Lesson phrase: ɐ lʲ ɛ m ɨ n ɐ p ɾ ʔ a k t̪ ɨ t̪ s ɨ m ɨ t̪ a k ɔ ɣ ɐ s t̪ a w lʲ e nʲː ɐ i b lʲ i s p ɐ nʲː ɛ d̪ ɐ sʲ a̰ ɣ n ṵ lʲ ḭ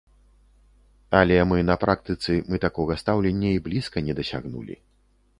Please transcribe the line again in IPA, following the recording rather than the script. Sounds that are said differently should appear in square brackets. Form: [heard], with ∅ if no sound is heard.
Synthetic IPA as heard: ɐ lʲ ɛ m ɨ n ɐ p ɾ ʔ a k t̪ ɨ t̪ s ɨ m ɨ t̪ a k ɔ ɣ ɐ s t̪ a w lʲ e nʲː ɐ i b lʲ i s [k] ɐ [nʲ] ɛ d̪ ɐ sʲ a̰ ɣ n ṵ lʲ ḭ

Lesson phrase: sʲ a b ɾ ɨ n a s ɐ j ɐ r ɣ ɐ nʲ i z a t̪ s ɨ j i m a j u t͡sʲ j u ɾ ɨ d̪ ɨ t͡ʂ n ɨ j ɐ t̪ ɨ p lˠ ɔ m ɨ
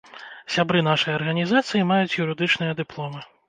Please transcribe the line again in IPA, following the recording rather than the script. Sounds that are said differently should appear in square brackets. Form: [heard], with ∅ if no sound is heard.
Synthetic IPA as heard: sʲ a b ɾ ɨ n a [ʂ] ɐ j ɐ r ɣ ɐ nʲ i z a t̪ s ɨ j i m a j u t͡sʲ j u ɾ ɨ d̪ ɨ t͡ʂ n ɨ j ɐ [d̪] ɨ p lˠ ɔ m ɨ

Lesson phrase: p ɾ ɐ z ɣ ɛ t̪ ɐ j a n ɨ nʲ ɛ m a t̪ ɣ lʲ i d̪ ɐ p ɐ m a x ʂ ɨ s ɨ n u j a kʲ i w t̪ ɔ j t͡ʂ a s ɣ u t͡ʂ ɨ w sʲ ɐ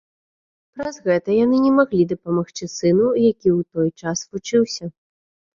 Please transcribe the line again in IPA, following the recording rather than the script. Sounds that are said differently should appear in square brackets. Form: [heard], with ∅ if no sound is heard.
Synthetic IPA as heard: p ɾ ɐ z ɣ ɛ t̪ ɐ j a n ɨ nʲ ɛ m a [∅] ɣ lʲ i d̪ ɐ p ɐ m a x [t͡ʂ] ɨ s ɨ n u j a kʲ i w t̪ ɔ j t͡ʂ a s [v] u t͡ʂ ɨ w sʲ ɐ

